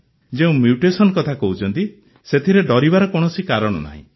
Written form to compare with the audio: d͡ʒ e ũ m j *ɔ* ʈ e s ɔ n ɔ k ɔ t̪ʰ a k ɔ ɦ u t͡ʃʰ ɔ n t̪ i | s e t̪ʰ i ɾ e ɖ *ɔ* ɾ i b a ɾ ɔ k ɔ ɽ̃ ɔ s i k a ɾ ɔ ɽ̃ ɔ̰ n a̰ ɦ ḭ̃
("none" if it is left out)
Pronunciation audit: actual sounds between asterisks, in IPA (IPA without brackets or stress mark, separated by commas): u, ɔ